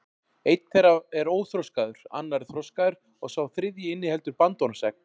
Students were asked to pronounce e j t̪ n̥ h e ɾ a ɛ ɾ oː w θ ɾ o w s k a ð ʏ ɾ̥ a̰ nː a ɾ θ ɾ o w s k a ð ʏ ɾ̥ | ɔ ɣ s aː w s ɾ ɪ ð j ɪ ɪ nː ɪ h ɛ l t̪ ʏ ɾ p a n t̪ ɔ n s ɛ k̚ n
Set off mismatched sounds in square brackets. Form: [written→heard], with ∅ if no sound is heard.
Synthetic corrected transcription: e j t̪ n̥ [h→θ] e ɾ a ɛ ɾ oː w θ ɾ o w s k a ð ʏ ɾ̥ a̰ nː a ɾ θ ɾ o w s k a ð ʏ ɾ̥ | ɔ ɣ s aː w [s→θ] ɾ ɪ ð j ɪ ɪ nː ɪ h ɛ l t̪ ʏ ɾ p a n t̪ ɔ n s ɛ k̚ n